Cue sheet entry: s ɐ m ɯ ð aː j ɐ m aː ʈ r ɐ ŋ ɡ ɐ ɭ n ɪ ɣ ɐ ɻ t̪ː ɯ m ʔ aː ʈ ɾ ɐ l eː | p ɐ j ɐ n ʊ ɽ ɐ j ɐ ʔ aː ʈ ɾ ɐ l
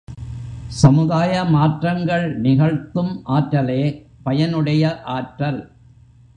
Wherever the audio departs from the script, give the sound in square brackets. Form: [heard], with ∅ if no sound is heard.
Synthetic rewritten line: s ɐ m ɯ ð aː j ɐ m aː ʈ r ɐ ŋ ɡ ɐ ɭ n ɪ ɣ ɐ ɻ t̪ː ɯ m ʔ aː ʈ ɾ ɐ l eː | p ɐ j ɐ n [ɯ] ɽ ɐ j ɐ ʔ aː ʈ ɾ ɐ l

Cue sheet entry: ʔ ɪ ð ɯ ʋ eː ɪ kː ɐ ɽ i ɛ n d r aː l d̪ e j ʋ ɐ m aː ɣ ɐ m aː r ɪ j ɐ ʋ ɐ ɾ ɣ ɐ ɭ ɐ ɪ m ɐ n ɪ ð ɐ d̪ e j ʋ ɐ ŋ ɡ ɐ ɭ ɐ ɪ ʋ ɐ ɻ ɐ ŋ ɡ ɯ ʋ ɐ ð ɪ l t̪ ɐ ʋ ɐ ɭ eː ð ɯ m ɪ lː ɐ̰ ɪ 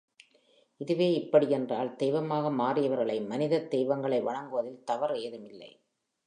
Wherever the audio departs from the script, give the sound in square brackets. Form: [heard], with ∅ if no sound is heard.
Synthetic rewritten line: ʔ ɪ ð ɯ ʋ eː ɪ [pː] ɐ ɽ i ɛ n d r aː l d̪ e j ʋ ɐ m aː ɣ ɐ m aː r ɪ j ɐ ʋ ɐ ɾ ɣ ɐ ɭ ɐ ɪ m ɐ n ɪ ð ɐ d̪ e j ʋ ɐ ŋ ɡ ɐ ɭ ɐ ɪ ʋ ɐ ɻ ɐ ŋ ɡ ɯ ʋ ɐ ð ɪ l t̪ ɐ ʋ ɐ [ɾ] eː ð ɯ m ɪ lː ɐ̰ ɪ

